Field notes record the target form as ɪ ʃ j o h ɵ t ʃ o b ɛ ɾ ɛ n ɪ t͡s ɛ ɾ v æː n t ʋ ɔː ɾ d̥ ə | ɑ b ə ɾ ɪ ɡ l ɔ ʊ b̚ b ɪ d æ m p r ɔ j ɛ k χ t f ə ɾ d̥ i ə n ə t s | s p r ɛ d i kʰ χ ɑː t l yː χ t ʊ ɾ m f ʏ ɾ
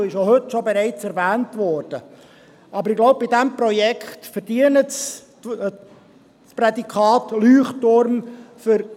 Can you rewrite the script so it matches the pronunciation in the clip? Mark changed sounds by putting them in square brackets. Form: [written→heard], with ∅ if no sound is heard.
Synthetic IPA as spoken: ɪ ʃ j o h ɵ t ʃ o b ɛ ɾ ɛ [n→∅] ɪ t͡s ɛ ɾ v æː n t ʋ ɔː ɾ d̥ ə | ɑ b ə ɾ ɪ ɡ l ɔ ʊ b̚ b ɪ d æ m p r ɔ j ɛ k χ t f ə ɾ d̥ i ə n ə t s | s p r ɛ d i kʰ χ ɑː t l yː χ t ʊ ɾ m f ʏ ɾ